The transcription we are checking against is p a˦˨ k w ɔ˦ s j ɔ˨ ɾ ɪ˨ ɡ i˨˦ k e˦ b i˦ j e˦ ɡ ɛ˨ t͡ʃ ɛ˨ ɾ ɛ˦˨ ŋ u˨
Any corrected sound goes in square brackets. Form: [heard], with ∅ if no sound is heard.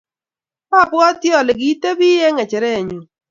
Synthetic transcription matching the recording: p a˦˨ [p] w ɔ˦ [t] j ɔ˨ [l] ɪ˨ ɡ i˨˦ [t] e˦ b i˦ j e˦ [ŋ] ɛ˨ t͡ʃ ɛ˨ ɾ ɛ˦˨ [ɲ] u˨